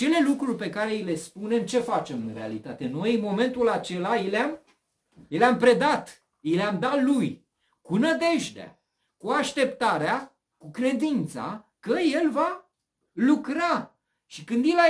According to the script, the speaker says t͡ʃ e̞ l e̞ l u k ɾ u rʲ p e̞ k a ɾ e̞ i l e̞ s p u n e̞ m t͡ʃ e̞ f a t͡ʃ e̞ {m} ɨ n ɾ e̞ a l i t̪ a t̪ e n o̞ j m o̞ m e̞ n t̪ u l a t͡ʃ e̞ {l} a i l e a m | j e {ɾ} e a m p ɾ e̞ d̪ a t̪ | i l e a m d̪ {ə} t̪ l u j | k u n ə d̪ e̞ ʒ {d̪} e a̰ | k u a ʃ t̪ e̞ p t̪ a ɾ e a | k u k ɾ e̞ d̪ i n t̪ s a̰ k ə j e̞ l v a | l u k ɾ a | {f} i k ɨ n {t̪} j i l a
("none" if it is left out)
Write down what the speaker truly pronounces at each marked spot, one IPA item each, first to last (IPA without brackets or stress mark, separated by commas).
m, l, l, a, d̪, ʃ, d̪